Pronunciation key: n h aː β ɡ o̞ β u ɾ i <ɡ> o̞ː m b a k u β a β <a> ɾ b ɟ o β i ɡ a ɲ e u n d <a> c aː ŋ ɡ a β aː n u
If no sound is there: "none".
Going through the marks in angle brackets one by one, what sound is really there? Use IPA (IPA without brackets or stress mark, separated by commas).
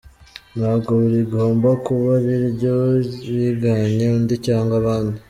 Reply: ɡ, i, i